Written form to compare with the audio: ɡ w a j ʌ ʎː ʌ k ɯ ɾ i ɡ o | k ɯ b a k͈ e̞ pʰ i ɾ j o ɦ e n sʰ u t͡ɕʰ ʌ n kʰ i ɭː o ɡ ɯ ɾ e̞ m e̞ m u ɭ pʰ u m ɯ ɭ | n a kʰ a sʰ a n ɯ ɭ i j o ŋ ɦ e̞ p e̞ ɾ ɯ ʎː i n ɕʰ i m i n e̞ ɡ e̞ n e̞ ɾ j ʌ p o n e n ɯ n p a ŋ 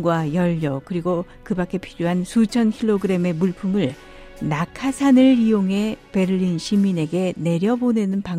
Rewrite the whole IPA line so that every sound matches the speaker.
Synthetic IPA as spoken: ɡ w a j ʌ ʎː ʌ k ɯ ɾ i ɡ o | k ɯ b a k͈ e̞ pʰ i ɾ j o ɦ a n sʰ u t͡ɕʰ ʌ n kʰ i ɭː o ɡ ɯ ɾ e̞ m e̞ m u ɭ pʰ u m ɯ ɭ | n a kʰ a sʰ a n ɯ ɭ i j o ŋ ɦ e̞ p e̞ ɾ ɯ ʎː i n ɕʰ i m i n e̞ ɡ e̞ n e̞ ɾ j ʌ b o n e n ɯ n p a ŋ